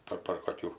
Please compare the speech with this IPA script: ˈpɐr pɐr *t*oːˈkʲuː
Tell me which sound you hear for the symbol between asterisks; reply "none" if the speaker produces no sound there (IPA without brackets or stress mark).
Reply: k